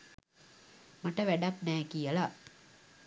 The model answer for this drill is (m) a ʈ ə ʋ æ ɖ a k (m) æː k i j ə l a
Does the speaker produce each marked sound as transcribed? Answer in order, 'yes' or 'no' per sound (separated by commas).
yes, no